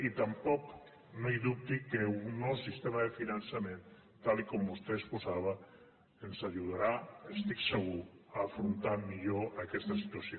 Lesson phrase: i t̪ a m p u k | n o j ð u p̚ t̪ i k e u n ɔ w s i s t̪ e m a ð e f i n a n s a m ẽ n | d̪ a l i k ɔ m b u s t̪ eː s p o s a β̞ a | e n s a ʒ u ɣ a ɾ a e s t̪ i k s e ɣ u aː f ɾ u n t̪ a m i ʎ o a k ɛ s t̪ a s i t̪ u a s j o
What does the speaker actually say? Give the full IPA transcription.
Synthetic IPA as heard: i t̪ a m p ɔ k | n o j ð u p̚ t̪ i k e u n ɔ w s i s t̪ e m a ð e f i n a n s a m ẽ n | t̪ a l i k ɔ m b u s t̪ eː s p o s a β̞ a | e n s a ʒ u ð a ɾ a e s t̪ i k s e ɣ u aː f ɾ u n t̪ a m i ʎ o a k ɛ s t̪ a s i t̪ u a s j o